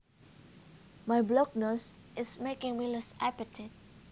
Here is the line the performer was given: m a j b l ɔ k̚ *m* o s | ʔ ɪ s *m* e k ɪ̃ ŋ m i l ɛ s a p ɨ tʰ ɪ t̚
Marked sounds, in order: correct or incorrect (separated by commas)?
incorrect, correct